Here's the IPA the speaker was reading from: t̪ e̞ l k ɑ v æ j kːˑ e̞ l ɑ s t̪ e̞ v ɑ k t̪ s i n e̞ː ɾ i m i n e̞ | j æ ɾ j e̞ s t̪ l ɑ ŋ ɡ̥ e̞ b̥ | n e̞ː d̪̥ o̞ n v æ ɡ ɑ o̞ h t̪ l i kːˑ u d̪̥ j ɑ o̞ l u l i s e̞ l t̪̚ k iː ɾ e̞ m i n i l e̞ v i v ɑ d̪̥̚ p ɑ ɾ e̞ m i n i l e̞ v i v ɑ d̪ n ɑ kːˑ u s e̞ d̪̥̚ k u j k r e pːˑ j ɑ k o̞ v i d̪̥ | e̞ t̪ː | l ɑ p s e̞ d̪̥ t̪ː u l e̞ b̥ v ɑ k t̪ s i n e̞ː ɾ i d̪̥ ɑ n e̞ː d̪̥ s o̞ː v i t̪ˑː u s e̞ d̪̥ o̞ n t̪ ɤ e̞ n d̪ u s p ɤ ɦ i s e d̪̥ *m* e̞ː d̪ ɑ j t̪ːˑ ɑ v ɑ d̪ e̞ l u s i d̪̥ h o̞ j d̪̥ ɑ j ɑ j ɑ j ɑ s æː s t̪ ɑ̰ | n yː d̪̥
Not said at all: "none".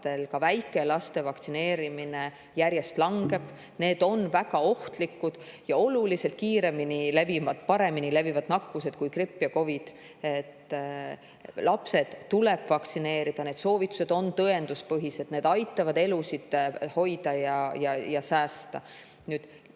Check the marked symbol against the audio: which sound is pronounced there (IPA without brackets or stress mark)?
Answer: n